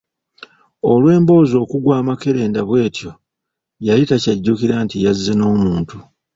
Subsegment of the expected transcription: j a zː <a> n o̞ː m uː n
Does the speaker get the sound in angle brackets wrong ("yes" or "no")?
yes